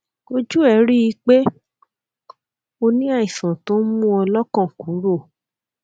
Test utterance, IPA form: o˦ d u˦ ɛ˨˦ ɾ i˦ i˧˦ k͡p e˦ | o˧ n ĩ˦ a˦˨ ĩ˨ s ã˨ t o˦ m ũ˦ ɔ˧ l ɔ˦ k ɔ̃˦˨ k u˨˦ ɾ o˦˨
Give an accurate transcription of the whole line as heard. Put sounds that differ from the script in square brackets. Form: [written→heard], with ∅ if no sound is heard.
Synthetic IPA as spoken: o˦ [d→d͡ʒ] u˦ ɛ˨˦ ɾ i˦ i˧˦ k͡p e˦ | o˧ n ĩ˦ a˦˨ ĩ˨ s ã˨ t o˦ m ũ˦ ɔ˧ l ɔ˦ k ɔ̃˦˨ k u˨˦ ɾ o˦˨

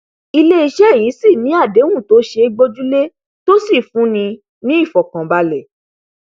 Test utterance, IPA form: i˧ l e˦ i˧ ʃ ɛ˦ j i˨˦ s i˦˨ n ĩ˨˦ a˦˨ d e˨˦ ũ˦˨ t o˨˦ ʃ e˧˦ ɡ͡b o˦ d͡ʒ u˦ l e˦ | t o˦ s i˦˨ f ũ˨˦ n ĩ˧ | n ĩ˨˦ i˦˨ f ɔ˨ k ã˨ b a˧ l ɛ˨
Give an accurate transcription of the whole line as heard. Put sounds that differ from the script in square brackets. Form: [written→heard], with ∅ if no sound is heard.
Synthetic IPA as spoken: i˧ l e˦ i˧ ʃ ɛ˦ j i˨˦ s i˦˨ n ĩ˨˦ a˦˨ d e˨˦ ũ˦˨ t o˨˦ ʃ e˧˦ ɡ͡b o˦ d͡ʒ u˦ l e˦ | t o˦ s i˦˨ f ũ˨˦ n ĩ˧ | n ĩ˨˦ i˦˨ f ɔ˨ k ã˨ b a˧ l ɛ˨

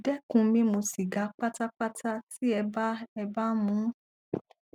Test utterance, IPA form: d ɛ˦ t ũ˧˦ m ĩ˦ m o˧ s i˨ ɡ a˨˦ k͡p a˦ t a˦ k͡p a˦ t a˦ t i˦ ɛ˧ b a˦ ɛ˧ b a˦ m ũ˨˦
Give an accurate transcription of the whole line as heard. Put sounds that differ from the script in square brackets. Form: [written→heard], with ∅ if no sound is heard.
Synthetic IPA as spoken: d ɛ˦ [t→k] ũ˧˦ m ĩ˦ m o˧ s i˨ ɡ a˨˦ k͡p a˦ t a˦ k͡p a˦ t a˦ t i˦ ɛ˧ b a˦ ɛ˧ b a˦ m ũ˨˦

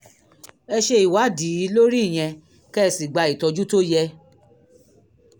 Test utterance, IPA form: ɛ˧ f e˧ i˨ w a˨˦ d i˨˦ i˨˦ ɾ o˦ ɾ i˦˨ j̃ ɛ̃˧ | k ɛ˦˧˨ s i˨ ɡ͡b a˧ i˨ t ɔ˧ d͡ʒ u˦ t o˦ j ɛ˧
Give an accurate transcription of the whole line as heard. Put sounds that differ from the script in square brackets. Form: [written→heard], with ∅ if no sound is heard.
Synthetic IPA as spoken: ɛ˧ [f→ʃ] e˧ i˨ w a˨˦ d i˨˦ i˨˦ [ɾ→l] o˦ ɾ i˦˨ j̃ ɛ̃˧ | k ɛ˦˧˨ s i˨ ɡ͡b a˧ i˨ t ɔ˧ d͡ʒ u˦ t o˦ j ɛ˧

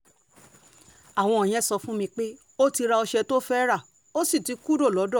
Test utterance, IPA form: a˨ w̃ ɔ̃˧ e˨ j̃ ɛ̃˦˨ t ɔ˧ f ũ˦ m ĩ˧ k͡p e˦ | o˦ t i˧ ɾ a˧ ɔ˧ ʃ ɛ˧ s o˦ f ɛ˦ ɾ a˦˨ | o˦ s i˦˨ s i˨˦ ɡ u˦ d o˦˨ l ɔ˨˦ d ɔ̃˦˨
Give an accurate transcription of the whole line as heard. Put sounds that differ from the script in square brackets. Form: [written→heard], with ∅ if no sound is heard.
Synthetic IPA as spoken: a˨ w̃ ɔ̃˧ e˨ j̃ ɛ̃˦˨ [t→s] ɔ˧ f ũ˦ m ĩ˧ k͡p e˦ | o˦ t i˧ ɾ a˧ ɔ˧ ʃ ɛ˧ [s→t] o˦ f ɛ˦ ɾ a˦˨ | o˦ s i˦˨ [s→t] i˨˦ [ɡ→k] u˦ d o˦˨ l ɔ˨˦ d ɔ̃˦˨

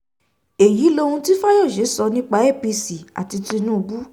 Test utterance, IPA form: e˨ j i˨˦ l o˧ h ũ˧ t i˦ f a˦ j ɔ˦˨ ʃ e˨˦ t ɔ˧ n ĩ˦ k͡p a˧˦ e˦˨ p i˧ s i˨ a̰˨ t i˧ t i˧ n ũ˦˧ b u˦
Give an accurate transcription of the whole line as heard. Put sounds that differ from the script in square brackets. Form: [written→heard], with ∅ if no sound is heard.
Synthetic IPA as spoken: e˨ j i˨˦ l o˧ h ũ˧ t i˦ f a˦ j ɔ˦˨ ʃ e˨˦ [t→s] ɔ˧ n ĩ˦ k͡p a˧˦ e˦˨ p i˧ s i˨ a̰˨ t i˧ t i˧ n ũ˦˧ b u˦

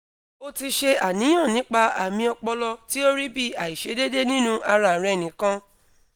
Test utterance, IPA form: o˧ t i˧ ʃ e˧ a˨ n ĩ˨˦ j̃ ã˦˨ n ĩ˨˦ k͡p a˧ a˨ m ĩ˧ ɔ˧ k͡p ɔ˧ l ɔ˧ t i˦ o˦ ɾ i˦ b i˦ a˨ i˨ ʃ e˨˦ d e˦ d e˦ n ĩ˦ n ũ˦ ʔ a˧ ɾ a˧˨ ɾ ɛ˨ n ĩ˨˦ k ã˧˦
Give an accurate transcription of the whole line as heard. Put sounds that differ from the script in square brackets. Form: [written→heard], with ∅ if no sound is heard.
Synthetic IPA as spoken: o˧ t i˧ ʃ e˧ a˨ n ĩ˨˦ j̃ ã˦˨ n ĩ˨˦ k͡p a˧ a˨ m ĩ˧ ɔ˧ k͡p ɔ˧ l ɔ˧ t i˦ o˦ ɾ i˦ b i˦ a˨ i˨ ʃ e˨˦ d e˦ d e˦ n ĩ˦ n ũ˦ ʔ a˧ ɾ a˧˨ ɾ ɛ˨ n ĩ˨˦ k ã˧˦

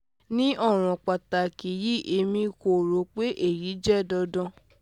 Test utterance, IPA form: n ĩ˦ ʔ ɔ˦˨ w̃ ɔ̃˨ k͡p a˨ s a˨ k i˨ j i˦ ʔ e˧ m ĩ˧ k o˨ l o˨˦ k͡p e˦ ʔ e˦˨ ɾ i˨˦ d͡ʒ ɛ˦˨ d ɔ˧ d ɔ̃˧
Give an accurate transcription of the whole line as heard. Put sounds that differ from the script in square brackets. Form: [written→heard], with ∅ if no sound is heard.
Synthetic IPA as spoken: n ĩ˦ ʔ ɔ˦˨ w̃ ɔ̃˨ k͡p a˨ [s→t] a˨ k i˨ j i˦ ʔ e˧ m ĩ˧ k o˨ [l→ɾ] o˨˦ k͡p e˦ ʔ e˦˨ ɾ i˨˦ d͡ʒ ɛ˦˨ d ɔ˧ d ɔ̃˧

